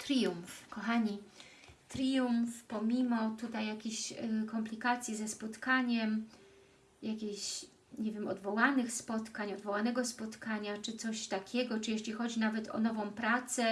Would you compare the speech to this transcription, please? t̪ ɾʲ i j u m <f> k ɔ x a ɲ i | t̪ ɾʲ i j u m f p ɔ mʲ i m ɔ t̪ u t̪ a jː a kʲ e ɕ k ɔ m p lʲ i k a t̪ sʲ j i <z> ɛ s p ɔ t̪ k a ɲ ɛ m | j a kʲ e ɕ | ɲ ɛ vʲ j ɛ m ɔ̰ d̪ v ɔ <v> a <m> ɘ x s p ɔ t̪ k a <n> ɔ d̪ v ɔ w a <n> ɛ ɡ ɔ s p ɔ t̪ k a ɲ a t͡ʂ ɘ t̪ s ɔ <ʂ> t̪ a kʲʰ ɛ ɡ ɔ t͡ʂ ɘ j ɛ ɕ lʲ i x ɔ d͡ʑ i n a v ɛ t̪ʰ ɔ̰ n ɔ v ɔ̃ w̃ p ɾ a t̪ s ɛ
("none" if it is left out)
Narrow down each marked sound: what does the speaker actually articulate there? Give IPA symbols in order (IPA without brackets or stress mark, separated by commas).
f, z, w, n, ɲ, n, ɕ